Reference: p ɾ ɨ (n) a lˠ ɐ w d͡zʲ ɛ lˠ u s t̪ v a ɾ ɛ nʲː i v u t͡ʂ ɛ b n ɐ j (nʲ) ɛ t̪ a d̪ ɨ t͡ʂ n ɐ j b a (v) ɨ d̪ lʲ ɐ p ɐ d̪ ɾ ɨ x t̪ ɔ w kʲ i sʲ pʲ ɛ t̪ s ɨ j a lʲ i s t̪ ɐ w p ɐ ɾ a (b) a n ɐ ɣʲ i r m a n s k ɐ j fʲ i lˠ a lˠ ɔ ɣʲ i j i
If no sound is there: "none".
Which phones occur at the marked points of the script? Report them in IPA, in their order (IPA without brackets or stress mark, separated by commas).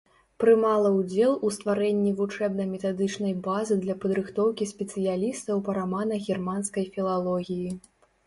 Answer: m, mʲ, z, m